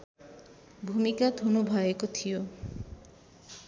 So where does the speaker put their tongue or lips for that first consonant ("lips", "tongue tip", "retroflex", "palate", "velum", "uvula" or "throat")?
lips